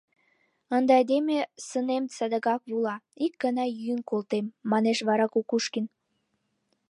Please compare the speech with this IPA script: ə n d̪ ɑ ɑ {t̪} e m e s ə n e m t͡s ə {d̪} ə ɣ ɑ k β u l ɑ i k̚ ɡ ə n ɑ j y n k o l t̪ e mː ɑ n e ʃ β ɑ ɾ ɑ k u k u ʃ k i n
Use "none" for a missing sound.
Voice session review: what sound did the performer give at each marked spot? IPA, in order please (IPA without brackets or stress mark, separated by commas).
d̪, d̪